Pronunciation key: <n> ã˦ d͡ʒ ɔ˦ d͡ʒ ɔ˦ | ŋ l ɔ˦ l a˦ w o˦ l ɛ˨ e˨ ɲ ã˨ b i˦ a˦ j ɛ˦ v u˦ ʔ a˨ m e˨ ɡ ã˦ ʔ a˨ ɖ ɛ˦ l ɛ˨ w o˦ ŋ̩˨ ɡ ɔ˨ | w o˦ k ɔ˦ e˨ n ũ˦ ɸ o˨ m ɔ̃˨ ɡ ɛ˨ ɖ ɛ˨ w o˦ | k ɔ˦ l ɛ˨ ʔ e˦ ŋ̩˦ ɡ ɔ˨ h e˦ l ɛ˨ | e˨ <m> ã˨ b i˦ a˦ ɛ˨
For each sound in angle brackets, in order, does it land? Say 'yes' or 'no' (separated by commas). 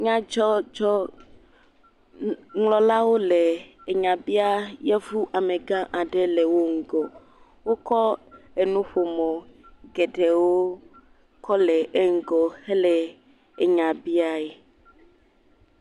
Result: no, no